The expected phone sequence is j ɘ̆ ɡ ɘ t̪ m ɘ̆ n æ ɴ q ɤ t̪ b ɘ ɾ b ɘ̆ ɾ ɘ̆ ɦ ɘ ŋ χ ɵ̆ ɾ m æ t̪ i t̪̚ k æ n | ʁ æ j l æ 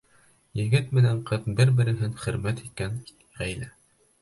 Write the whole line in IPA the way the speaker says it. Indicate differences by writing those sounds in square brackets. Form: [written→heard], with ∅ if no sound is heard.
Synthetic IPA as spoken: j ɘ̆ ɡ ɘ t̪ m ɘ̆ n æ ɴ q ɤ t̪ b ɘ ɾ b ɘ̆ ɾ ɘ̆ ɦ ɘ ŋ χ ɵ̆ ɾ m æ t̪ i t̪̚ k æ n | ʁ æ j l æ